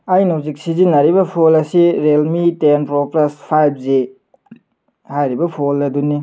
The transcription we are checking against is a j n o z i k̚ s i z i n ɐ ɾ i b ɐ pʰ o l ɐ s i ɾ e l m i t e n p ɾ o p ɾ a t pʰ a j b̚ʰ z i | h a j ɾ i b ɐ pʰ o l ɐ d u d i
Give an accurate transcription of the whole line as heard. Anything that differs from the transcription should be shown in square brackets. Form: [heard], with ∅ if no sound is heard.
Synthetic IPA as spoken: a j n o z i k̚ s i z i n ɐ ɾ i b ɐ pʰ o l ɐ s i ɾ e l m i t e n p ɾ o p [l] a [s] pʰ a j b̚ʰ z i | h a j ɾ i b ɐ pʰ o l ɐ d u [n] i